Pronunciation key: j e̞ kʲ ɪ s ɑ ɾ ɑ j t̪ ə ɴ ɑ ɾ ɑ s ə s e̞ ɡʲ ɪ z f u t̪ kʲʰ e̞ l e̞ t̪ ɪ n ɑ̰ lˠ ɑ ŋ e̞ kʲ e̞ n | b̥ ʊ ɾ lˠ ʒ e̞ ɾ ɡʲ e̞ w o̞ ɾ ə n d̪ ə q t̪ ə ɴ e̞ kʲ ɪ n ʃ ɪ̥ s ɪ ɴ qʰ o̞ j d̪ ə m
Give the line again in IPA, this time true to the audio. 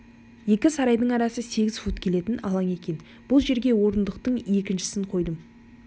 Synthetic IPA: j e̞ kʲ ɪ s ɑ ɾ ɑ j d̪ ə ɴ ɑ ɾ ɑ s ə s e̞ ɡʲ ɪ z f u t̪ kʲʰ e̞ l e̞ t̪ ɪ n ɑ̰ lˠ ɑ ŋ e̞ kʲ e̞ n | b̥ ʊ lˠ ʒ e̞ ɾ ɡʲ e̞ w o̞ ɾ ə n d̪ ə q t̪ ə ɴ e̞ kʲ ɪ n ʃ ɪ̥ s ɪ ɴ qʰ o̞ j d̪ ə m

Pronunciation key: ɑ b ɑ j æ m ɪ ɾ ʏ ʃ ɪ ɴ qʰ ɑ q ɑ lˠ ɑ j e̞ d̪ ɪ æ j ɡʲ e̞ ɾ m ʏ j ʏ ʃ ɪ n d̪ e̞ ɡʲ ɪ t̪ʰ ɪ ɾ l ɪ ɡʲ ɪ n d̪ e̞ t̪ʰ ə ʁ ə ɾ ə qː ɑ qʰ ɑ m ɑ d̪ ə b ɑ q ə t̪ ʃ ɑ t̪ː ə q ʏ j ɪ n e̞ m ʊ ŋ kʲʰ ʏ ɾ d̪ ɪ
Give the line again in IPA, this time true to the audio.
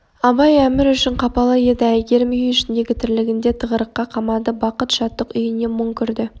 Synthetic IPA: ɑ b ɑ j æ m ɪ ɾ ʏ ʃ ɪ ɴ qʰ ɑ p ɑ lˠ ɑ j e̞ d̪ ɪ æ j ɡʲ e̞ ɾ m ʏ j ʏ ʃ ɪ n d̪ e̞ ɡʲ ɪ t̪ʰ ɪ ɾ l ɪ ɡʲ ɪ n d̪ e̞ t̪ʰ ə ʁ ə ɾ ə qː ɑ qʰ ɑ m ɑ d̪ ə b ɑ q ə t̪ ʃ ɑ t̪ː ə q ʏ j ɪ n e̞ m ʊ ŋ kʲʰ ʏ ɾ d̪ ɪ

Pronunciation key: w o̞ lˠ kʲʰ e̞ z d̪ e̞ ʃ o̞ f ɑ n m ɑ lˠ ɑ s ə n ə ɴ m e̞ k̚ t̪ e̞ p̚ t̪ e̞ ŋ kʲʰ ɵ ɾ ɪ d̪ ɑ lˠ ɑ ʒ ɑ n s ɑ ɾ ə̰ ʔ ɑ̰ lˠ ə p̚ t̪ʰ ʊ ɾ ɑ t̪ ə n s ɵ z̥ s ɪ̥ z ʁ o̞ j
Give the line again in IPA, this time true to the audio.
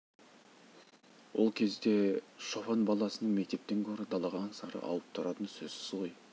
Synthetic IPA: w o̞ lˠ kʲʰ e̞ z d̪ e̞ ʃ o̞ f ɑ n b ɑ lˠ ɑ s ə n ə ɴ m e̞ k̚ t̪ e̞ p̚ t̪ e̞ ŋ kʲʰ ɵ ɾ ɪ d̪ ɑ lˠ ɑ ʁ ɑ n s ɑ ɾ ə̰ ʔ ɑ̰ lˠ ə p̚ t̪ʰ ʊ ɾ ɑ t̪ ə n s ɵ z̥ s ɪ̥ z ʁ o̞ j

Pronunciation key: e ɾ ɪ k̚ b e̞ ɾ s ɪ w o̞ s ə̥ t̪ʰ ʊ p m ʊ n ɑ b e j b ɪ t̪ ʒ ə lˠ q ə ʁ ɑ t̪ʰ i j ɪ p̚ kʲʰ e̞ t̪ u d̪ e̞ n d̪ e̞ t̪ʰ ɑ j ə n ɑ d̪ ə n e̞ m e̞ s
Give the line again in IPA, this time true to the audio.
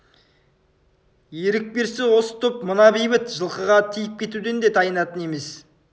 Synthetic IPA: e ɾ ɪ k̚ b e̞ ɾ s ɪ w o̞ s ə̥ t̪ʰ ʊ p m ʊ n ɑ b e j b ɪ t̪ ʒ ə lˠ q ə ʁ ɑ t̪ʰ i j ɪ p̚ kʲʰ e̞ t̪ u d̪ e̞ n d̪ e̞ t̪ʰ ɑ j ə n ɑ t̪ ə n e̞ m e̞ s

